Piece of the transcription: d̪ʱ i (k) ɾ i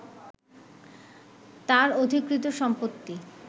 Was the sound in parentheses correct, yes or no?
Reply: yes